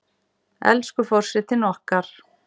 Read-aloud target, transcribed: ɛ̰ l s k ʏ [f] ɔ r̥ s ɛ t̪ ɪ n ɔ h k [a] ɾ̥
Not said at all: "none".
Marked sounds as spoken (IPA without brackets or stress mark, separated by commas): f, a